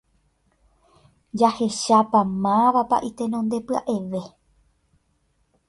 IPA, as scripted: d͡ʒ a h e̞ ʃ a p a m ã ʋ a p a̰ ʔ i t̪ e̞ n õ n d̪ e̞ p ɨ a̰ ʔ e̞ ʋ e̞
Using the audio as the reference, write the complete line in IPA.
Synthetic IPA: d͡ʒ a h e̞ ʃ a p a m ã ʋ a p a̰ ʔ i t̪ e̞ n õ n d̪ e̞ p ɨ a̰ ʔ e̞ ʋ e̞